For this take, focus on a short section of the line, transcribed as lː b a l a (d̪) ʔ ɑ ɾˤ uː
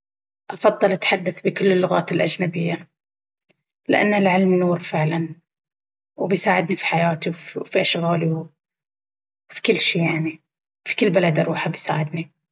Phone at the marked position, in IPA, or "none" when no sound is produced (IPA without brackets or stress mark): d̪